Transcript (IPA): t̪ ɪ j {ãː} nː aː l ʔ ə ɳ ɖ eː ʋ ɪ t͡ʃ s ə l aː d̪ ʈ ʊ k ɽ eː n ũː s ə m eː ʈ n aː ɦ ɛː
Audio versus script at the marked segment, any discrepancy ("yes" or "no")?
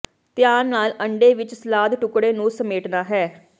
yes